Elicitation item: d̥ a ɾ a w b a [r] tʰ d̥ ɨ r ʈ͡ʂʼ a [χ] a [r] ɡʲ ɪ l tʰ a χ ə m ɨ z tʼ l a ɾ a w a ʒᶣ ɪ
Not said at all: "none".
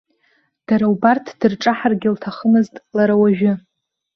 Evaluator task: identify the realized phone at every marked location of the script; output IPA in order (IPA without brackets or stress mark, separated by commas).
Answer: r, ħ, r